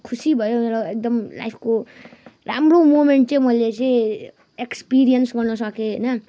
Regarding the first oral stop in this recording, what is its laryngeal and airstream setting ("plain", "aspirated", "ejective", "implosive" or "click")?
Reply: aspirated